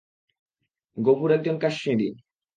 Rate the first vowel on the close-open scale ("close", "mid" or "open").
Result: mid